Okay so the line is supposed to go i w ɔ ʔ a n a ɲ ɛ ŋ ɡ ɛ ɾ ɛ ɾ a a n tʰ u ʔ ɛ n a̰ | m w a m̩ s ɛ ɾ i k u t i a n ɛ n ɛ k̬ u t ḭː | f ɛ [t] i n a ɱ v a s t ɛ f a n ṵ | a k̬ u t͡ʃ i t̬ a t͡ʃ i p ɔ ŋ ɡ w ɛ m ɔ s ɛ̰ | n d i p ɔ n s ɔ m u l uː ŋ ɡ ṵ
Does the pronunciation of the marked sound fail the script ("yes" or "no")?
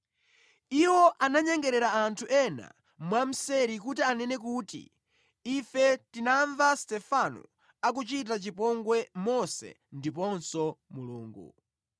no